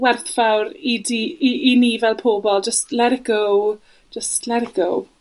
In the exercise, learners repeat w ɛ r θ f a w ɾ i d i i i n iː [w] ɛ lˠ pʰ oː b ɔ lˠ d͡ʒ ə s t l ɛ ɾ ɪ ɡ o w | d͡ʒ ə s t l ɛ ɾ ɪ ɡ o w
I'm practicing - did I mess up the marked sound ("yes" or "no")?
yes